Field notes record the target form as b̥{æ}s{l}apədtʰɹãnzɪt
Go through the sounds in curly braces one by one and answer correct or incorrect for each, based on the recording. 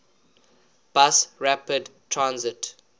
incorrect, incorrect

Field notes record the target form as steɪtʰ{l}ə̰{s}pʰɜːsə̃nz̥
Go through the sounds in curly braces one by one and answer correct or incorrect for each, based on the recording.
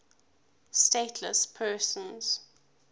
correct, correct

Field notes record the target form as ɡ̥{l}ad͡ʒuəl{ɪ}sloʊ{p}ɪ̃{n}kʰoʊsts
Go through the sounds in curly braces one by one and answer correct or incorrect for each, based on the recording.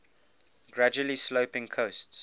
incorrect, incorrect, correct, incorrect

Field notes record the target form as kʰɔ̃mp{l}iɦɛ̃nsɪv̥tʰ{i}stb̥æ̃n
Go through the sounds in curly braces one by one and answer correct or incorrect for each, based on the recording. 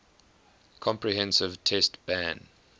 incorrect, incorrect

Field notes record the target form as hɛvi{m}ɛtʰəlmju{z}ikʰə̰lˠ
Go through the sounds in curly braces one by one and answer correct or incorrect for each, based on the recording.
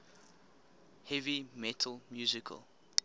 correct, correct

